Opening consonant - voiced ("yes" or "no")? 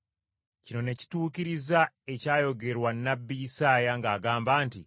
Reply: no